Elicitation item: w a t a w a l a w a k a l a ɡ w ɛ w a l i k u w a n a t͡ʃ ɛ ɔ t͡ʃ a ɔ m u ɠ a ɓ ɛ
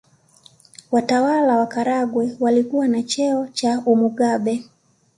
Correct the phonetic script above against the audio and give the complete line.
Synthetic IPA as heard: w a t a w a l a w a k a ɾ a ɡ w ɛ w a l i k u w a n a t͡ʃ ɛ ɔ t͡ʃ a u m u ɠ a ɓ ɛ